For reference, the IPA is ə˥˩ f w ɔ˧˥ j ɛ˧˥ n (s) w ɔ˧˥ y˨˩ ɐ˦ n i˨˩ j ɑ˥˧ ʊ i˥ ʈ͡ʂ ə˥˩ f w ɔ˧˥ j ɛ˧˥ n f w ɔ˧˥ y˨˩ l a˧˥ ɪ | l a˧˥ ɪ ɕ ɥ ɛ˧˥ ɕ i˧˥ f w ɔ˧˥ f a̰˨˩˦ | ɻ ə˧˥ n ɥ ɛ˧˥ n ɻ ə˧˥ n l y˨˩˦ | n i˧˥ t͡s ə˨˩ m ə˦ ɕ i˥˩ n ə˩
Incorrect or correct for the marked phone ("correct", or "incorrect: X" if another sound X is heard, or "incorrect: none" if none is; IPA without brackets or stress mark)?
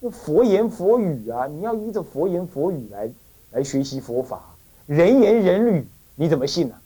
incorrect: f